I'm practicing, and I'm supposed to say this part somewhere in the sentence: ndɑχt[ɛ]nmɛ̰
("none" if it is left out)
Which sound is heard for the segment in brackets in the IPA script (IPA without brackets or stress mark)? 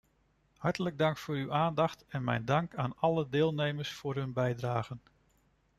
ɛ